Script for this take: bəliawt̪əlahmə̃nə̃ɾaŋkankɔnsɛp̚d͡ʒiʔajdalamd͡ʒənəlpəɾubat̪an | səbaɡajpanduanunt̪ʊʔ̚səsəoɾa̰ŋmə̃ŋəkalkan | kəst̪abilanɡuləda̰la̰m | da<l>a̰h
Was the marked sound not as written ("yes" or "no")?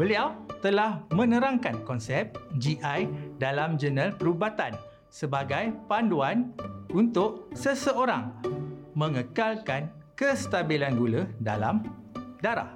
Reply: yes